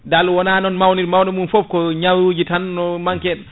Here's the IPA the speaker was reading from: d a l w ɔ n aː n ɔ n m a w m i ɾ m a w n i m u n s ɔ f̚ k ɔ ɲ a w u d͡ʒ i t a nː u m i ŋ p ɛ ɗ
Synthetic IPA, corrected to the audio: d a l w ɔ n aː n ɔ n m a w n i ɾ m a w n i m u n f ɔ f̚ k ɔ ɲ a w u d͡ʒ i t a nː ɔ m a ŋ k ɛ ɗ